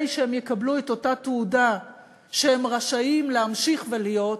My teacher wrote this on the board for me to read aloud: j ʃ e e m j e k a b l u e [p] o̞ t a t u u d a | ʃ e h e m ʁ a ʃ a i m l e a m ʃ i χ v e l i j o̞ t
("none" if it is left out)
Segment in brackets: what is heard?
t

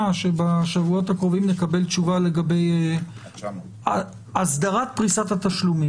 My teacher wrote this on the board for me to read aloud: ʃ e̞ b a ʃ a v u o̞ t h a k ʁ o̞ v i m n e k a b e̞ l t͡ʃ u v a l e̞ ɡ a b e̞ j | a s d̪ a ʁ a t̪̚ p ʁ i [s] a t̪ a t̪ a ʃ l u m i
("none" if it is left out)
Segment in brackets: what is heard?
s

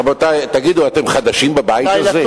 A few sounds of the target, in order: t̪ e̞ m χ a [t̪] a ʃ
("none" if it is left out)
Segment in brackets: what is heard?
d̪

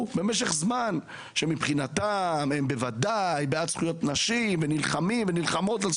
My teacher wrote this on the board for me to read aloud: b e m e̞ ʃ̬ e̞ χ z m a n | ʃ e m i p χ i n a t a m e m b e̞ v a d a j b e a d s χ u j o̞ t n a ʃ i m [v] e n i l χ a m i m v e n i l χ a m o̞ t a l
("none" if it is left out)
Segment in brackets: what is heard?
v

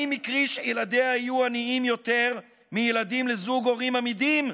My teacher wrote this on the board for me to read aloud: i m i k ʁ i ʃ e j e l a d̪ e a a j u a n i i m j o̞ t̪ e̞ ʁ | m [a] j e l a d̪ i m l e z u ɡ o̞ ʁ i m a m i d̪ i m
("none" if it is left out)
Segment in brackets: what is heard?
i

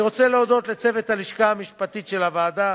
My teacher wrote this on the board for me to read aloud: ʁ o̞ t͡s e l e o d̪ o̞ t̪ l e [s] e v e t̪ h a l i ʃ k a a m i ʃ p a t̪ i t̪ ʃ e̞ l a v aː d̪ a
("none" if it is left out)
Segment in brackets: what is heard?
t͡s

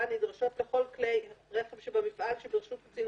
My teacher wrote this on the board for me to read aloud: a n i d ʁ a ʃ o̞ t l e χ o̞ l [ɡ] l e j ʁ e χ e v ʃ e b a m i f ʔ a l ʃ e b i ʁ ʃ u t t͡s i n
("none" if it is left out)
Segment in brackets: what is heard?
k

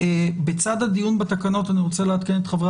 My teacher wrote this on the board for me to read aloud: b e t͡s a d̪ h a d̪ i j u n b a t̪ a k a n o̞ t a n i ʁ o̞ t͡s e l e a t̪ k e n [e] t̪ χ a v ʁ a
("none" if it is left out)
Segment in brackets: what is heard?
e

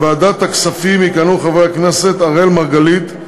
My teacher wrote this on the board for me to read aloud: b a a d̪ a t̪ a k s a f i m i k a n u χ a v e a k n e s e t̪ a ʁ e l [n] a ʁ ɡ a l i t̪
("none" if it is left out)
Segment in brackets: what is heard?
m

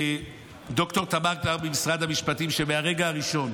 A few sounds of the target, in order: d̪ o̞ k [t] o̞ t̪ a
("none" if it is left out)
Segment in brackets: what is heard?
t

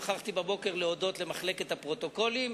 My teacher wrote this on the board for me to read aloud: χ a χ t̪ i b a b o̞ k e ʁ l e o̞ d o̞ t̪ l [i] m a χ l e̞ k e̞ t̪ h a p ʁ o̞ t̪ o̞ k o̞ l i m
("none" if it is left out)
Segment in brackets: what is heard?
e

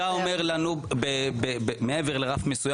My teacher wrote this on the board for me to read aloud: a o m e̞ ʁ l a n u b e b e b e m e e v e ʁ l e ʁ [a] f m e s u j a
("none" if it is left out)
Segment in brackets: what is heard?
a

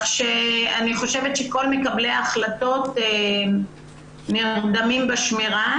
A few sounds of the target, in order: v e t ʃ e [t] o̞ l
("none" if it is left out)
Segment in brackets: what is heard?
k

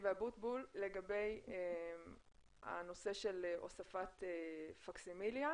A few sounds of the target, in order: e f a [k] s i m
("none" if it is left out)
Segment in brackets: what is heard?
k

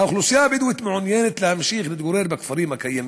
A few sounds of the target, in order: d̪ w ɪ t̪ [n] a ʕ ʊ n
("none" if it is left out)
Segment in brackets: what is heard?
m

